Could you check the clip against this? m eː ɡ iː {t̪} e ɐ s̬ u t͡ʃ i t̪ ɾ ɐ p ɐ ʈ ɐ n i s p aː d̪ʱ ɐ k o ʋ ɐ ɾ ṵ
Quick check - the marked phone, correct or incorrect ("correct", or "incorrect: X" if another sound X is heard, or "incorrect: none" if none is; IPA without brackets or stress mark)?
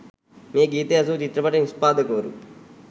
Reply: correct